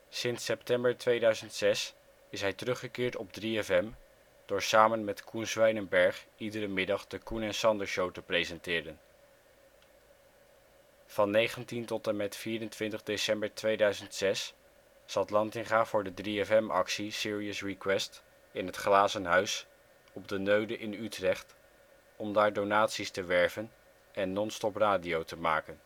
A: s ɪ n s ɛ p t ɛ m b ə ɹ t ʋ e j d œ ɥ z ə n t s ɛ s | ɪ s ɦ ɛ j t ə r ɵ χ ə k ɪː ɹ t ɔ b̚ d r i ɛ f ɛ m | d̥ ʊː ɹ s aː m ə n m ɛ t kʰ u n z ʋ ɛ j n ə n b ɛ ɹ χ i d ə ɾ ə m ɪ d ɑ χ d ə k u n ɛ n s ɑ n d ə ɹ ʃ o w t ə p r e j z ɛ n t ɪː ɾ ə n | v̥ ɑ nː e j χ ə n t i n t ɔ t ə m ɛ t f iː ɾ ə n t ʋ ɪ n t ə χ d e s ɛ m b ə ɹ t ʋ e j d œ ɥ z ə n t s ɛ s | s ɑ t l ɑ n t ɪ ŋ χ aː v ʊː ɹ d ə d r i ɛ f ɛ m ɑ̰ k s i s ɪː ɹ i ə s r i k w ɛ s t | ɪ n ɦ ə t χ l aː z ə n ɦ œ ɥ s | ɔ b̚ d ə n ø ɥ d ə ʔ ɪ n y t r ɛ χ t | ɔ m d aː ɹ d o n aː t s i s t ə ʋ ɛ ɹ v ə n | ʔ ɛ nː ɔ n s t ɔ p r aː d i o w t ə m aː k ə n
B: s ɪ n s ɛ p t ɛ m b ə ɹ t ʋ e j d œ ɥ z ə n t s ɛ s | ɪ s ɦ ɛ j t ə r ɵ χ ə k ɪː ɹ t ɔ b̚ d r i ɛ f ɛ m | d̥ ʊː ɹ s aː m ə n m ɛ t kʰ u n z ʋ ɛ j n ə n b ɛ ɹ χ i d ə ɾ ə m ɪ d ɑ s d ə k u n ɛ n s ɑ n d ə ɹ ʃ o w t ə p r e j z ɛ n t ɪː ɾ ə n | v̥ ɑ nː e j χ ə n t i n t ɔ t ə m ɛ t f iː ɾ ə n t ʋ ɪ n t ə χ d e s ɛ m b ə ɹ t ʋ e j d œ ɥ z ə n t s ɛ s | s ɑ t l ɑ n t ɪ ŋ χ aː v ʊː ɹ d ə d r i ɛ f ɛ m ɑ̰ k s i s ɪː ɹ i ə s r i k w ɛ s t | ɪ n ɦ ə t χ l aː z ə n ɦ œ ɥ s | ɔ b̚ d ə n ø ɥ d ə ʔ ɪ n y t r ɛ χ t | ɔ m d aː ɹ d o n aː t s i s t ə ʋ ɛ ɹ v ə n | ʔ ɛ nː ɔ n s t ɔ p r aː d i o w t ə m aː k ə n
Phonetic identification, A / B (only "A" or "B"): A